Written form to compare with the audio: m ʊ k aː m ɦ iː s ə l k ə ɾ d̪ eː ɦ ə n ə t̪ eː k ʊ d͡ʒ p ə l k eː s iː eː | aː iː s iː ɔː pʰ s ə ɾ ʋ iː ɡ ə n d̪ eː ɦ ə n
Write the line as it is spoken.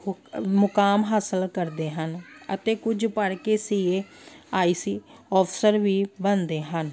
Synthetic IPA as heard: m ʊ k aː m ɦ aː s ə l k ə ɾ d̪ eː ɦ ə n ə t̪ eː k ʊ d͡ʒ p ə ɽ k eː s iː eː | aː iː s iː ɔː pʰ s ə ɾ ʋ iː b ə n d̪ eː ɦ ə n

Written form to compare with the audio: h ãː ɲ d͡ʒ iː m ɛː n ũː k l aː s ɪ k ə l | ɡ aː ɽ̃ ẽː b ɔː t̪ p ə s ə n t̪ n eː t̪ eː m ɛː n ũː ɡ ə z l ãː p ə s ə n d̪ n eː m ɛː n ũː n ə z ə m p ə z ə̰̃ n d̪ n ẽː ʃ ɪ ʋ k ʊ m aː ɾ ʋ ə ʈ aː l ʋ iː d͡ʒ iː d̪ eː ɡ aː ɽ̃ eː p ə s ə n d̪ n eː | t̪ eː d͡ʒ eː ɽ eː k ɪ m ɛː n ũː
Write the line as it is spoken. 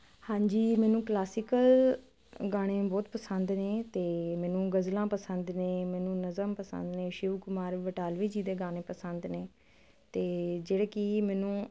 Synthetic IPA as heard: h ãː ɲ d͡ʒ iː m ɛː n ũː k l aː s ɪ k ə l | ɡ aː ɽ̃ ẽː b ɔː t̪ p ə s ə n d̪ n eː t̪ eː m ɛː n ũː ɡ ə z l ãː p ə s ə n d̪ n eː m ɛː n ũː n ə z ə m p ə s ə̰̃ n d̪ n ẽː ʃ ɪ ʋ k ʊ m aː ɾ ʋ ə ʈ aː l ʋ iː d͡ʒ iː d̪ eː ɡ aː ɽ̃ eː p ə s ə n d̪ n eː | t̪ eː d͡ʒ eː ɽ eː k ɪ m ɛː n ũː

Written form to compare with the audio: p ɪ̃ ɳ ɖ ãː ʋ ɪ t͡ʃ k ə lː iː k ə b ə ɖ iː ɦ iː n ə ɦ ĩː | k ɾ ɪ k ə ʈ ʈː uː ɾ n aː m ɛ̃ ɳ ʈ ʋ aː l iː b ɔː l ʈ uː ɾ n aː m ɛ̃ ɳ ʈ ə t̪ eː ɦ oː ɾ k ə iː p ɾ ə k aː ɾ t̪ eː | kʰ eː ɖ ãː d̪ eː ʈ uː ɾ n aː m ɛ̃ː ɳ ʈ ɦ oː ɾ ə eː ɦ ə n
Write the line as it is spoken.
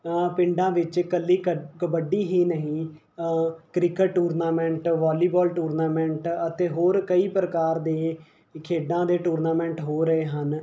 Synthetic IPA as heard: p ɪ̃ ɳ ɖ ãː ʋ ɪ t͡ʃ k ə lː iː k ə b ə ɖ iː ɦ iː n ə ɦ ĩː | k ɾ ɪ k ə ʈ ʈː uː ɾ n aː m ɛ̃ ɳ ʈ ʋ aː l iː b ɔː l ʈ uː ɾ n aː m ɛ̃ ɳ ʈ ə t̪ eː ɦ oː ɾ k ə iː p ɾ ə k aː ɾ d̪ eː | kʰ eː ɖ ãː d̪ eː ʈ uː ɾ n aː m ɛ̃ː ɳ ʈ ɦ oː ɾ ə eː ɦ ə n

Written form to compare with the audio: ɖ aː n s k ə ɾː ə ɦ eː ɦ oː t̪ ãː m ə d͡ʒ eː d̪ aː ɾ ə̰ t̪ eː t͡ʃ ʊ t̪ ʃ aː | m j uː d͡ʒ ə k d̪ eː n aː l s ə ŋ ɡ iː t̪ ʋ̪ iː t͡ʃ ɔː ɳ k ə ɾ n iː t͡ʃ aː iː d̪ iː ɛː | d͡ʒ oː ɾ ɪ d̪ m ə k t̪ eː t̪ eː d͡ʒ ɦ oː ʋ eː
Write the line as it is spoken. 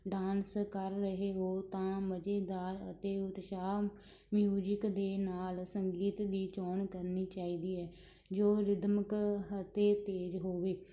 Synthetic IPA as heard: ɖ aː n s k ə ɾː ə ɦ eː ɦ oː t̪ ãː m ə d͡ʒ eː d̪ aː ɾ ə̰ t̪ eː ʊ t̪ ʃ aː | m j uː d͡ʒ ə k d̪ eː n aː l s ə ŋ ɡ iː t̪ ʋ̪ iː t͡ʃ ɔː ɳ k ə ɾ n iː t͡ʃ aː iː d̪ iː ɛː | d͡ʒ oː ɾ ɪ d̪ m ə k t̪ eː t̪ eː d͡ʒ ɦ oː ʋ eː

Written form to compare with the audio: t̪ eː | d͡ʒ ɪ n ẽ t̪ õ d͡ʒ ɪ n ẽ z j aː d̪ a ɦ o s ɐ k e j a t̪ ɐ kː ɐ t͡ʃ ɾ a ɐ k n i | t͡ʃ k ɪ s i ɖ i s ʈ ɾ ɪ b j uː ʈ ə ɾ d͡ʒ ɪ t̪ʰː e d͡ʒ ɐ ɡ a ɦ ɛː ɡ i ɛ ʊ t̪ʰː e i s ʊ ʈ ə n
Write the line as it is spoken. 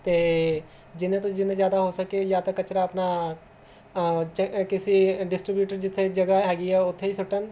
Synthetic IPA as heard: t̪ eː | d͡ʒ ɪ n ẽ t̪ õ d͡ʒ ɪ n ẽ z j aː d̪ a ɦ o s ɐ k e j a t̪ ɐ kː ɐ t͡ʃ ɾ a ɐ p n a | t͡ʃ k ɪ s i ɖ ɪ s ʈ ɾ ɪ b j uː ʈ ə ɾ d͡ʒ ɪ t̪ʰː e d͡ʒ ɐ ɡ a ɦ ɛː ɡ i ɛ ʊ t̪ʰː e i s ʊ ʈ ə n

